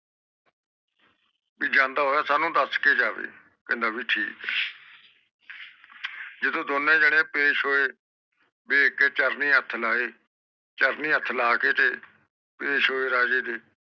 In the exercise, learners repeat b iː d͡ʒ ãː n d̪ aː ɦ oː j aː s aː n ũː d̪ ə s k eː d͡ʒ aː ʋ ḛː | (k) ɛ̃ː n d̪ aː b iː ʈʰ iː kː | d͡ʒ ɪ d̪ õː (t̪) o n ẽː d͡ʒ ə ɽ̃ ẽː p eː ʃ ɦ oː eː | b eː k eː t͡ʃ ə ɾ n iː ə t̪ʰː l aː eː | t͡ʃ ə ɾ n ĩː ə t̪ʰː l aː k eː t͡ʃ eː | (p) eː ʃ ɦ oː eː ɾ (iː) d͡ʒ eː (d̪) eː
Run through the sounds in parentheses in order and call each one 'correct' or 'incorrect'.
correct, incorrect: d̪, correct, incorrect: aː, correct

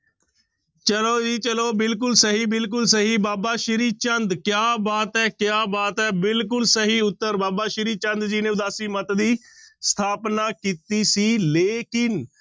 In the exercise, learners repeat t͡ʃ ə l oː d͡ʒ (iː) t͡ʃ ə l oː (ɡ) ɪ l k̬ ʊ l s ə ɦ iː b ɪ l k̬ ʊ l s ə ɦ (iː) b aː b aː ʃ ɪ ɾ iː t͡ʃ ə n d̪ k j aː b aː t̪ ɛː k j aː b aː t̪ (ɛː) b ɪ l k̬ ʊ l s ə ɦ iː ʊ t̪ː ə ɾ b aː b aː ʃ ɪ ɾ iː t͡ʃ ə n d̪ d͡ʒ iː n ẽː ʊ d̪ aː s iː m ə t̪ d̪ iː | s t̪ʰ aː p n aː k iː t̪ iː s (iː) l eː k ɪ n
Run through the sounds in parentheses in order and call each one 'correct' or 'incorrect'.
correct, incorrect: b, correct, correct, correct

